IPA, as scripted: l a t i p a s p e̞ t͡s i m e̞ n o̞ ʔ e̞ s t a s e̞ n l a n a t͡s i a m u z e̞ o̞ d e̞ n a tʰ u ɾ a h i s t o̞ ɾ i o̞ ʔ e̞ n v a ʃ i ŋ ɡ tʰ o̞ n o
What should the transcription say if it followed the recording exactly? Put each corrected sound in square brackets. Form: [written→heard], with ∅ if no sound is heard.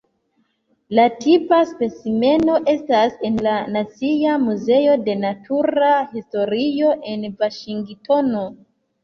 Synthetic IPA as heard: l a t i p a s p e̞ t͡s i m e̞ n o̞ ʔ e̞ s t a s e̞ n l a n a t͡s i a m u z e̞ o̞ d e̞ n a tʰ u ɾ a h i s t o̞ ɾ i o̞ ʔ e̞ n v a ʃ i ŋ ɡ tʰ o̞ n o